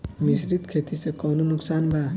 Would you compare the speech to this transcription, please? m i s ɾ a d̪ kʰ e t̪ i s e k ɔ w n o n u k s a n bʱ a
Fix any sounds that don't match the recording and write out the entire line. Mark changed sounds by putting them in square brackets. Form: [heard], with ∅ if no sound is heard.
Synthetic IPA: m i s ɾ [i] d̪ kʰ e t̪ i s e k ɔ w n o n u k s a n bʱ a